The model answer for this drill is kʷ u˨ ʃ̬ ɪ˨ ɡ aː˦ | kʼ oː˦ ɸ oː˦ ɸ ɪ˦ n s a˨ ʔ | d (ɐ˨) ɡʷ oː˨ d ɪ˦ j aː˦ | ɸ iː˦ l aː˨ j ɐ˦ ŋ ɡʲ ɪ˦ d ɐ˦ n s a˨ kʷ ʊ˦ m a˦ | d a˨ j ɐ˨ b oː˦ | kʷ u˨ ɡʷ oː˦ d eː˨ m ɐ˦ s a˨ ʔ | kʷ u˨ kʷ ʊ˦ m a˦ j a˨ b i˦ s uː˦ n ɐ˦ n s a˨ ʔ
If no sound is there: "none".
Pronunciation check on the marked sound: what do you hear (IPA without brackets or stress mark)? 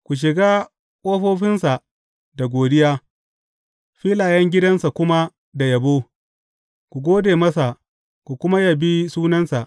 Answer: a˨